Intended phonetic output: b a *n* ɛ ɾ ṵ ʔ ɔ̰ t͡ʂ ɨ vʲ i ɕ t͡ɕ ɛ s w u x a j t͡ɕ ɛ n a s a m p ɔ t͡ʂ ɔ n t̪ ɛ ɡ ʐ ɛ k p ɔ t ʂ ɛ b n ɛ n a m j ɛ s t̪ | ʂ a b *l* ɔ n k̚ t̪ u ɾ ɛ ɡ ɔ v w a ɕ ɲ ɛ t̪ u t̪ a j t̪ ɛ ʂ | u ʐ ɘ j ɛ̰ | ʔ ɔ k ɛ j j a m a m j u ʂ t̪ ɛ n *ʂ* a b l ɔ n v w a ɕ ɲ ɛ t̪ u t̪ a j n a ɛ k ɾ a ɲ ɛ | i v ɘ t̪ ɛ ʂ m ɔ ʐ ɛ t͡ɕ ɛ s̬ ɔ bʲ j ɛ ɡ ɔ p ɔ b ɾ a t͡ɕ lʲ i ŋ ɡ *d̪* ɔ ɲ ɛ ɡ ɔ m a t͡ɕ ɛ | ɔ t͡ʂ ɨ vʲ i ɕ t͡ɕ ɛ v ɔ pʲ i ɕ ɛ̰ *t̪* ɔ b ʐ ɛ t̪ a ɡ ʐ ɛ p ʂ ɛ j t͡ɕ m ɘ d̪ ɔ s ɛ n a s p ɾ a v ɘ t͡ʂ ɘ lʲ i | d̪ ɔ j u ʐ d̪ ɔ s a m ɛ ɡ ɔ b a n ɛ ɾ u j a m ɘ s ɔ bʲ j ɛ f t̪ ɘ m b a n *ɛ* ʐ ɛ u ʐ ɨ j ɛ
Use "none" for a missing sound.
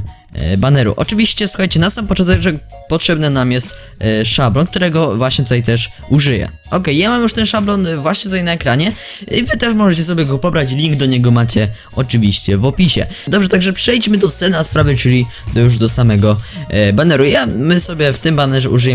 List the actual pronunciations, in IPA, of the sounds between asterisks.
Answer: n, l, ʂ, d̪, d̪, ɛ

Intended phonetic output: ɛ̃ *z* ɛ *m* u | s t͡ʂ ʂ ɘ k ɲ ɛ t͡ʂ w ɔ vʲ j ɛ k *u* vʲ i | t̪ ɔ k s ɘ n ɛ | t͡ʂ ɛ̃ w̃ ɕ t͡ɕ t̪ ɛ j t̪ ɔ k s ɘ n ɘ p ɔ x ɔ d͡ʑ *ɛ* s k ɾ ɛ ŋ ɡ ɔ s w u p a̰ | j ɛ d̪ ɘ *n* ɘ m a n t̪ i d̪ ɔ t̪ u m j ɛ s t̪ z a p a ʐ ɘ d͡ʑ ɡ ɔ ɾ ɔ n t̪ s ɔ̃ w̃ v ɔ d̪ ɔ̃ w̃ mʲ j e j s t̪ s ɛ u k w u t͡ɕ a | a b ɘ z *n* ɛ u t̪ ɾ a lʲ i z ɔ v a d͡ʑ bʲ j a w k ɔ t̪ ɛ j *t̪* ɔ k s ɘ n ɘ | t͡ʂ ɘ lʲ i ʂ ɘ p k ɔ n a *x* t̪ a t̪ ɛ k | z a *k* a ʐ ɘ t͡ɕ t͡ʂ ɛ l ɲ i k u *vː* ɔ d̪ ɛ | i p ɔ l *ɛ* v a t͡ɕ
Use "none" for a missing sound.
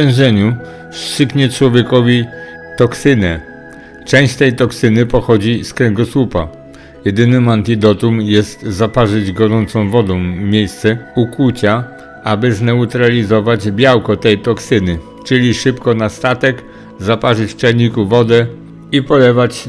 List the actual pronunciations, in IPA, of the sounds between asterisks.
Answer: ʐ, ɲ, ɔ, i, n, n, t̪, s, p, v, ɛ

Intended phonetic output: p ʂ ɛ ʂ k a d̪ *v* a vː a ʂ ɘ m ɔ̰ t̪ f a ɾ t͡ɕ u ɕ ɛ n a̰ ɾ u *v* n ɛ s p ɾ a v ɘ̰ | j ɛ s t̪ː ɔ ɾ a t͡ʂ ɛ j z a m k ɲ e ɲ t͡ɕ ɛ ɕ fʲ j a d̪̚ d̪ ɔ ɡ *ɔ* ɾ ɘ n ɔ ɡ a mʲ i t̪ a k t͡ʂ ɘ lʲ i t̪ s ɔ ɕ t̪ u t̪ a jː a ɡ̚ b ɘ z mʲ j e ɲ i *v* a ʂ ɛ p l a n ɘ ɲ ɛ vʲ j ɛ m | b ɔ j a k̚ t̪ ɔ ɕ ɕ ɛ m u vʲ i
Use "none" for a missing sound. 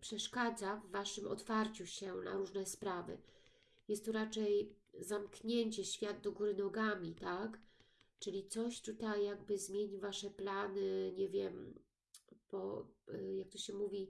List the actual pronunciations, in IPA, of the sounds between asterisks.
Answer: z, ʐ, u, v

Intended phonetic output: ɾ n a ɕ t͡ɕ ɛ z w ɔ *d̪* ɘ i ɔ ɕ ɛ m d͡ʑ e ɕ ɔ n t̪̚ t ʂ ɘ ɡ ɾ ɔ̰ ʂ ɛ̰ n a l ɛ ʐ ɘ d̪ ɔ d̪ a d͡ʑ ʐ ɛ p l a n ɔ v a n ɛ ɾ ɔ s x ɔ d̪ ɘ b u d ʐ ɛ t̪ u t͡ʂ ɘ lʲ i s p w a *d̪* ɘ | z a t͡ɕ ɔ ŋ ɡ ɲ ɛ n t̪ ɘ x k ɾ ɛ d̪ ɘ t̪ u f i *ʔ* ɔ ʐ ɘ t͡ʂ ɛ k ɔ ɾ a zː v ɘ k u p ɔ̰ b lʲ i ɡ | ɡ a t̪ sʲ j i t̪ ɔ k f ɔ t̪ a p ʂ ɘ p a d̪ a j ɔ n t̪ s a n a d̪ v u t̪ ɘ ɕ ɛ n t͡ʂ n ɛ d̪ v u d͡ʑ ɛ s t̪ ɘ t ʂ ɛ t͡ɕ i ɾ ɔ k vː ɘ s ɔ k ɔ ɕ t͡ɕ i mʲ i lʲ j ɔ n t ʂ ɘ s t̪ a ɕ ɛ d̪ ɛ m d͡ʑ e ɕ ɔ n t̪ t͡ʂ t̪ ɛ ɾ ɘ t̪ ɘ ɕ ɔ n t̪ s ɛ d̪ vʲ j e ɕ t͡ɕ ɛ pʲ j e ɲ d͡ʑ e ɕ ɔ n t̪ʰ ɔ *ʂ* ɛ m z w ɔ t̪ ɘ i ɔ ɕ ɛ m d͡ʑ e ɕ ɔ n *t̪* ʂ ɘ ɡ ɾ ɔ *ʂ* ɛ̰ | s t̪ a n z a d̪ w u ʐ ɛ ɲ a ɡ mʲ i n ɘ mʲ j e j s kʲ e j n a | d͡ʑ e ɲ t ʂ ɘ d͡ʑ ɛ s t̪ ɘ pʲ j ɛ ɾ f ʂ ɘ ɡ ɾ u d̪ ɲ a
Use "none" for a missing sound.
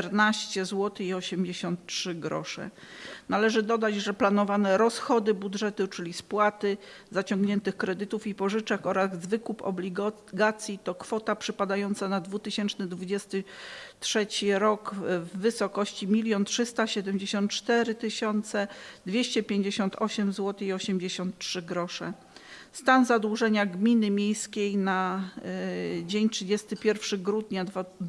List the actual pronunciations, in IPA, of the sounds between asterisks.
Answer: t̪, t̪, p, ɕ, t̪, ʂ

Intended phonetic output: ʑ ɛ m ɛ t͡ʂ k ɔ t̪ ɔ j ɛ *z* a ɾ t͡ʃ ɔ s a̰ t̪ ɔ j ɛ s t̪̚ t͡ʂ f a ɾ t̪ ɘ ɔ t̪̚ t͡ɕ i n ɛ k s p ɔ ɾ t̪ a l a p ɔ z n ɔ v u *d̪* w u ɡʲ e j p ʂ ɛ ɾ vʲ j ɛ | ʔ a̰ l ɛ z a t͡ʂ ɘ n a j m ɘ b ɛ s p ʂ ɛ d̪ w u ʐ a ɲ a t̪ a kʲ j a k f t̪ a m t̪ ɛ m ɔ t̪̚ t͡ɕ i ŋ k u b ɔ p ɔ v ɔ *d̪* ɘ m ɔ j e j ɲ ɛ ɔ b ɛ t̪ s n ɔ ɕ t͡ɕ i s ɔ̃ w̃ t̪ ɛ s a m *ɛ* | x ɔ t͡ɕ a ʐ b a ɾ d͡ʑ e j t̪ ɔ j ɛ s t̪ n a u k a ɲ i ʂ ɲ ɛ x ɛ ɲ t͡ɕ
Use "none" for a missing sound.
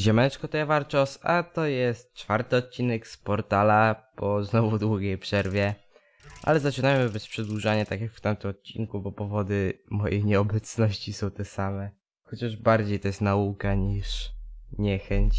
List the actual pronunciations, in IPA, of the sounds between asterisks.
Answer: v, d̪, d̪, ɛ

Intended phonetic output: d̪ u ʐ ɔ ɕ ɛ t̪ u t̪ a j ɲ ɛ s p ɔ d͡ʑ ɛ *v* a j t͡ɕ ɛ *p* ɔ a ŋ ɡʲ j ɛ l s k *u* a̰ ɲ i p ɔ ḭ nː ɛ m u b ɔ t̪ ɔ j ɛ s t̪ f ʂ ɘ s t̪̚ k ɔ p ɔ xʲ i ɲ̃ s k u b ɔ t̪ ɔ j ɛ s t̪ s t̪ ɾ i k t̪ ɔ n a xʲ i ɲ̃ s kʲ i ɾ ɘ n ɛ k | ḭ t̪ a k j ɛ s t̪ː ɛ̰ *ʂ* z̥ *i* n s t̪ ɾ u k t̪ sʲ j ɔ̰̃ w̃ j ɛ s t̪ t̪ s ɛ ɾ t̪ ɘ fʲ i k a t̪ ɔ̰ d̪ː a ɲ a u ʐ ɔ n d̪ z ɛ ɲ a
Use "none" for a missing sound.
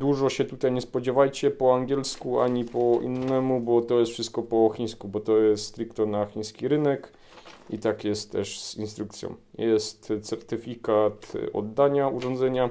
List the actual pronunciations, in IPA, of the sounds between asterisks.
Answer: v, p, u, ʂ, i

